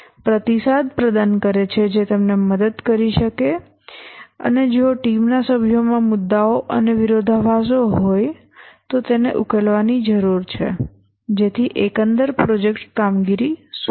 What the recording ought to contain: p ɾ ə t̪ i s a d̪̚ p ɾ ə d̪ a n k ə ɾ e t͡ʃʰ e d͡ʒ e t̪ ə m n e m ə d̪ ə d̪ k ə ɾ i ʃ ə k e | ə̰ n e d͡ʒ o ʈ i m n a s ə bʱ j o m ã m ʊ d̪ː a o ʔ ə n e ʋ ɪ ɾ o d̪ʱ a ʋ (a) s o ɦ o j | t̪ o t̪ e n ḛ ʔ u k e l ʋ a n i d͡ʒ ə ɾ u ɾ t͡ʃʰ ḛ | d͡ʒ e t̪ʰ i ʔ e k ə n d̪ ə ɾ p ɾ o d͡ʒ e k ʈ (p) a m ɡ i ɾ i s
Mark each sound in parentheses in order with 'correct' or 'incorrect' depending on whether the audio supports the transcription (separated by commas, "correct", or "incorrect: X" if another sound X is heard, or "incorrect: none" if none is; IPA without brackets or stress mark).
correct, incorrect: k